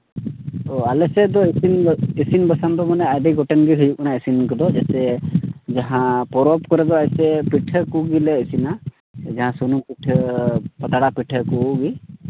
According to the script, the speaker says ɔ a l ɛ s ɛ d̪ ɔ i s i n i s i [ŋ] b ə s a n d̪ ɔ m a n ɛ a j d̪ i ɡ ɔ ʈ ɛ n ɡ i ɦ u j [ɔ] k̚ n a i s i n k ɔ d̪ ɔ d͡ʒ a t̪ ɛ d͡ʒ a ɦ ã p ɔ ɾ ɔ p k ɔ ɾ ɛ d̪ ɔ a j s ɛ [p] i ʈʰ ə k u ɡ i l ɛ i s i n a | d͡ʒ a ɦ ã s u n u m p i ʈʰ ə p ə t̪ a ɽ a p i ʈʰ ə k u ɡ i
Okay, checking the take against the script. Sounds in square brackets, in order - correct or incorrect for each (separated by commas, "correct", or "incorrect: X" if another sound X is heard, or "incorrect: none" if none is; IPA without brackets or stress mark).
incorrect: n, incorrect: u, correct